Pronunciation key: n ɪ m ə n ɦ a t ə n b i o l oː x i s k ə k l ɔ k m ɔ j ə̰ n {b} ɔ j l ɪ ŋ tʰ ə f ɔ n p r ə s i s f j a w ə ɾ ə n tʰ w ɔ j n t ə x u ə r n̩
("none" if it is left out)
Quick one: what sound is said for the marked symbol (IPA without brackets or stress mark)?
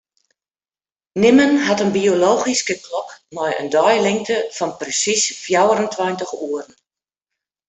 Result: d